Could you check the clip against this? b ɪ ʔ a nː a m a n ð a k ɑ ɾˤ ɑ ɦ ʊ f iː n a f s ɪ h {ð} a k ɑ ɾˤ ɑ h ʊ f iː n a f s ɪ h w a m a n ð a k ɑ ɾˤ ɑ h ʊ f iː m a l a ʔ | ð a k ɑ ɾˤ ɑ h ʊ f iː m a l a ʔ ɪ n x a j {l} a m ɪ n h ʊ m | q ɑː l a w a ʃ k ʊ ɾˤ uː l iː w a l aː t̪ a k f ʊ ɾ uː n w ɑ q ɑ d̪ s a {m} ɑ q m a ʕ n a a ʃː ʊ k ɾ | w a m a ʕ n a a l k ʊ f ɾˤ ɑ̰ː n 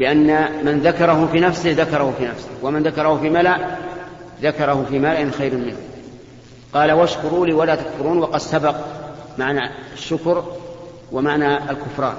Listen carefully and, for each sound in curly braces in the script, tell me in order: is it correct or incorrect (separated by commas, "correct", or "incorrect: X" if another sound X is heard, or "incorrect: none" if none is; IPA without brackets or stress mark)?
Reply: correct, incorrect: ɾ, incorrect: b